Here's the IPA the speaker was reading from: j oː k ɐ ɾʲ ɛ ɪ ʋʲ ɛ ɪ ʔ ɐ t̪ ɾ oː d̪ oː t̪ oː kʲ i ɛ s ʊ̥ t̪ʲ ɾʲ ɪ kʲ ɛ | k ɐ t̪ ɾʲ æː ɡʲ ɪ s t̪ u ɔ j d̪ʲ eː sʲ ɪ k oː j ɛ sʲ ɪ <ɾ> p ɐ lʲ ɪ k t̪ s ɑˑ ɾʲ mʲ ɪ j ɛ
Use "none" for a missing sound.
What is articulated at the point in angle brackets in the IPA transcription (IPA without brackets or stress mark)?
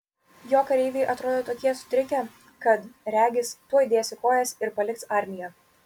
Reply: ɾ